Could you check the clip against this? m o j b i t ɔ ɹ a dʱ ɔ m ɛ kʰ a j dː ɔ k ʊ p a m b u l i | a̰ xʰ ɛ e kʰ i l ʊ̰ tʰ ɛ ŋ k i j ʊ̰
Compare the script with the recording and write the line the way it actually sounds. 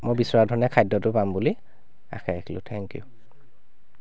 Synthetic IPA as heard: m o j b i s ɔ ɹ a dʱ ɔ n ɛ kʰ a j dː ɔ t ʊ p a m b u l i | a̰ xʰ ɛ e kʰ i l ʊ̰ tʰ ɛ ŋ k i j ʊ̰

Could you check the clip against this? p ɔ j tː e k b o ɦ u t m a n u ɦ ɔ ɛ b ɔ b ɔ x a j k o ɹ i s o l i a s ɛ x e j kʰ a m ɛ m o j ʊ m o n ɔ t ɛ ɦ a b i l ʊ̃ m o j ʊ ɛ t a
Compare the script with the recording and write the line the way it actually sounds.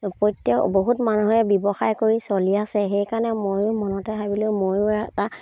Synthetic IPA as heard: p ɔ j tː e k b o ɦ u t m a n u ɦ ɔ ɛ b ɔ b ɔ x a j k o ɹ i s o l i a s ɛ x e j k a n ɛ m o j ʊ m ɔ n ɔ t ɛ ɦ a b i l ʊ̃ m o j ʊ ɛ t a

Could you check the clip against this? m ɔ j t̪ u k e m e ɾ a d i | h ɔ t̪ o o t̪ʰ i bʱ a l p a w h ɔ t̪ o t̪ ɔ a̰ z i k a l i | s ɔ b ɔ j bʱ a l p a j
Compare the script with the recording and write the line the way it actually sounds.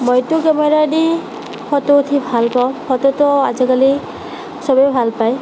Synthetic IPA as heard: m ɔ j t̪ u k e m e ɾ a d i | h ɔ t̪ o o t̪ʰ i bʱ a l p a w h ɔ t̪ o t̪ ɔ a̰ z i k a l i | s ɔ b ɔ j bʱ a l p a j

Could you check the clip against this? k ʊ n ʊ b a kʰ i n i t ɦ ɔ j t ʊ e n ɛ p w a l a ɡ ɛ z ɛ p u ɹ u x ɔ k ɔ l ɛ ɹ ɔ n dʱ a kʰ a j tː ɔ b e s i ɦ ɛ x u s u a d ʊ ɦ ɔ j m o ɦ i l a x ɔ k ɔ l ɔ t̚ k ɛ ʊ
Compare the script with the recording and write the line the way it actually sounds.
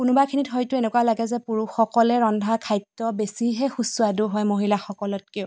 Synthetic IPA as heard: k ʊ n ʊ b a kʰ i n i t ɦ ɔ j t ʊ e n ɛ k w a l a ɡ ɛ z ɛ p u ɹ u x ɔ k ɔ l ɛ ɹ ɔ n dʱ a kʰ a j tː ɔ b e s i ɦ ɛ x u s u a d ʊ ɦ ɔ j m o ɦ i l a x ɔ k ɔ l ɔ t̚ k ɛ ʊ

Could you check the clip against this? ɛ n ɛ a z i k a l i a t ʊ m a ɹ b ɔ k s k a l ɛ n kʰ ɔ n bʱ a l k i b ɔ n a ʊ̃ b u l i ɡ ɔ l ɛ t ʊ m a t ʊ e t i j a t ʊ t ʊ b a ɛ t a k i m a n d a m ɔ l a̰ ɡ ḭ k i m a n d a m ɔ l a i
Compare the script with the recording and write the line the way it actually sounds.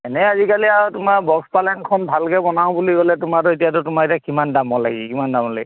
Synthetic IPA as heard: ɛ n ɛ a z i k a l i a t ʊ m a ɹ b ɔ k s p a l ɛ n kʰ ɔ n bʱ a l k ɛ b ɔ n a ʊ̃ b u l i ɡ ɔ l ɛ t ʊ m a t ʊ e t i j a t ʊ t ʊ m a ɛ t a k i m a n d a m ɔ l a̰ ɡ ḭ k i m a n d a m ɔ l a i

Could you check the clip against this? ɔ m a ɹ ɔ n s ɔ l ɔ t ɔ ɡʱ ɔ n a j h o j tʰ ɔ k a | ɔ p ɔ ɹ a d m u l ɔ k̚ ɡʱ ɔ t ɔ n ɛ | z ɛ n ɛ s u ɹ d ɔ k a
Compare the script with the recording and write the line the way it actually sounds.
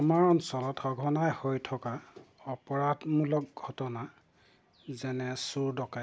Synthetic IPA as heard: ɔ m a ɹ ɔ n s ɔ l ɔ t ɔ ɡʱ ɔ n a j h o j tʰ ɔ k a | ɔ p ɔ ɹ a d m u l ɔ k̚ ɡʱ ɔ t ɔ n a | z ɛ n ɛ s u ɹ d ɔ k a

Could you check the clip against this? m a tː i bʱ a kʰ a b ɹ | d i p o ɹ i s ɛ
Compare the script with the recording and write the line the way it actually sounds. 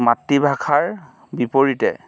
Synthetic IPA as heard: m a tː i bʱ a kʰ a ɹ | b i p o ɹ i t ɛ

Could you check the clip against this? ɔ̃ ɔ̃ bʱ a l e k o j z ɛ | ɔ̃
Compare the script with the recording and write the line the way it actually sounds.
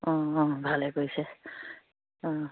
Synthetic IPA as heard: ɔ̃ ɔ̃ bʱ a l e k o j s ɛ | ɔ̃

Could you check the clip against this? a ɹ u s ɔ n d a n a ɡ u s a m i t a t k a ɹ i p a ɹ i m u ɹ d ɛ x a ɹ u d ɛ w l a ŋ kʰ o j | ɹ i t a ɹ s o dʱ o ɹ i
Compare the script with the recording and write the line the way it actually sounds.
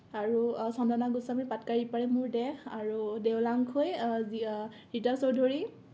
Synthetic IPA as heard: a ɹ u s ɔ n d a n a ɡ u s a m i p a t k a ɹ i p a ɹ ɛ m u ɹ d ɛ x a ɹ u d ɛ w l a ŋ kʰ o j | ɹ i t a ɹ s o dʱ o ɹ i

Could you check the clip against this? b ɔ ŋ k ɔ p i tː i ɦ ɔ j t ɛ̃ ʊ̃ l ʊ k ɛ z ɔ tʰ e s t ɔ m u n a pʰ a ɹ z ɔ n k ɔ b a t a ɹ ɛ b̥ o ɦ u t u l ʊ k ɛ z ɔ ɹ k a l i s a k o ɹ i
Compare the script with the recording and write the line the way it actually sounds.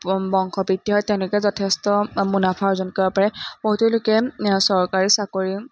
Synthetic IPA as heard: b ɔ ŋ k ɔ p i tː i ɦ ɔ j t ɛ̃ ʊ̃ l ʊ k ɛ z ɔ tʰ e s t ɔ m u n a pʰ a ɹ z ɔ n k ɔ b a p a ɹ ɛ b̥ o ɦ u t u l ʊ k ɛ s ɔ ɹ k a ɹ i s a k o ɹ i

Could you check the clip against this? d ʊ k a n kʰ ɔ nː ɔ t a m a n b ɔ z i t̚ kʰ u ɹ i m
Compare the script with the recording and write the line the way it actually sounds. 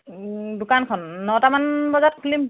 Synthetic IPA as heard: d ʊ k a n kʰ ɔ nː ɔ t a m a n b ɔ z a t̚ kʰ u l i m

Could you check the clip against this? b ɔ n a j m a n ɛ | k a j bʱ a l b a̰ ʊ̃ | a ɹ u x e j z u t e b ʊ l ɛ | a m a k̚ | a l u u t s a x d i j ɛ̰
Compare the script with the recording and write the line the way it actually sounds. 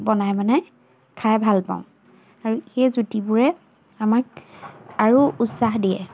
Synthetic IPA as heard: b ɔ n a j m a n ɛ | kʰ a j bʱ a l p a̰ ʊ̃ | a ɹ u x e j z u t i b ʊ ɹ ɛ | a m a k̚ | a ɹ u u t s a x d i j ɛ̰

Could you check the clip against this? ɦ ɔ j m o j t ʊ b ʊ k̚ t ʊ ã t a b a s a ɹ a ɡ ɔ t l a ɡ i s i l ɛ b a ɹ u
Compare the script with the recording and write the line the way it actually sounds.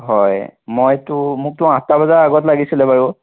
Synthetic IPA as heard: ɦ ɔ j m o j t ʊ m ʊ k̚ t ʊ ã t a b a z a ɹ a ɡ ɔ t l a ɡ i s i l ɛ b a ɹ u

